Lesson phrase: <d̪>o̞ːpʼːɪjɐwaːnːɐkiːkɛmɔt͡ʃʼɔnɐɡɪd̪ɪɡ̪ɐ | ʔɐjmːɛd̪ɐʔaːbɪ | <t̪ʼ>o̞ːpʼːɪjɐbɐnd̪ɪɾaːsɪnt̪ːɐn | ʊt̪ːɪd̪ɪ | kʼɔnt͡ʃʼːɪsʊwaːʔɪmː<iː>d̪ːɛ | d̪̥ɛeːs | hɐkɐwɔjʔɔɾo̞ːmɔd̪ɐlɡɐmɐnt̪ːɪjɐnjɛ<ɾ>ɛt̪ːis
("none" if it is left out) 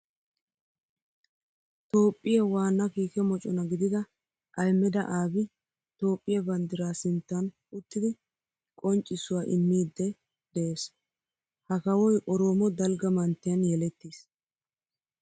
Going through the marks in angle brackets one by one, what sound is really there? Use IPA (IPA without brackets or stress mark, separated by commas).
t̪, t̪, iː, l